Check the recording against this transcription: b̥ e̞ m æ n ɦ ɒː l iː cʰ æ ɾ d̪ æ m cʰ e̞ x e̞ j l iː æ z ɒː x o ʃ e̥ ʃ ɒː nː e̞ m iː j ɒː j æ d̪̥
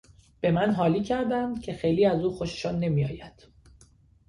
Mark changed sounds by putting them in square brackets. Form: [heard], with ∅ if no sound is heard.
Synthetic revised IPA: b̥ e̞ m æ n ɦ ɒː l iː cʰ æ ɾ d̪ æ m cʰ e̞ x e̞ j l iː æ z [uː] x o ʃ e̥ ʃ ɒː nː e̞ m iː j ɒː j æ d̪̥